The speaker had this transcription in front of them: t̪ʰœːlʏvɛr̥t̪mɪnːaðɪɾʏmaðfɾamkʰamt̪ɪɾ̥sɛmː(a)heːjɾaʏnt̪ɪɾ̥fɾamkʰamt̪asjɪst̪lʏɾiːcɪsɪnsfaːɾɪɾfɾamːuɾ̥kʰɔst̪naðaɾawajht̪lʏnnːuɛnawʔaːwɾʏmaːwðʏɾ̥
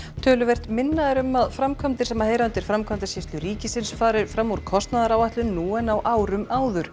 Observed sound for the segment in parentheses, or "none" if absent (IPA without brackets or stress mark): a